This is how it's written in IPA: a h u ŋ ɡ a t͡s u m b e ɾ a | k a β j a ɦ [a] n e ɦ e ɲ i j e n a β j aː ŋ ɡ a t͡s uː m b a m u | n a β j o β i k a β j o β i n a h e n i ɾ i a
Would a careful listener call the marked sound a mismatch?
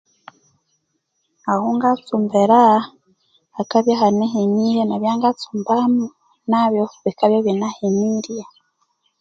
no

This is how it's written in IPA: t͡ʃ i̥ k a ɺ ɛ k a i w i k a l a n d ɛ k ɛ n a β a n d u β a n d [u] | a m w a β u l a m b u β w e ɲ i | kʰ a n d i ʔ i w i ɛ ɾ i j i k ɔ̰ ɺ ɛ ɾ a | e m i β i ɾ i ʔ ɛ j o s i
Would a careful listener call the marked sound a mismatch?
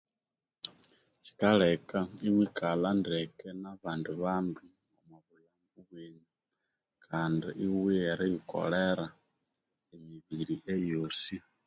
no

